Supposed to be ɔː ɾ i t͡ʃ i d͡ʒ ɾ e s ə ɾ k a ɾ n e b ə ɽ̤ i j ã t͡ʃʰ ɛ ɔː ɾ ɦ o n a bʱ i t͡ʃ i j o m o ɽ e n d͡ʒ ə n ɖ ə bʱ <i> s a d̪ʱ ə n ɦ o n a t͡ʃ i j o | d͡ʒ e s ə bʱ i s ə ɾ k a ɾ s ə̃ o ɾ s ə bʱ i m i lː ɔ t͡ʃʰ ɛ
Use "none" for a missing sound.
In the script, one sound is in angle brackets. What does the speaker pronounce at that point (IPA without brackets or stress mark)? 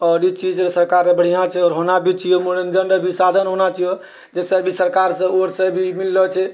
i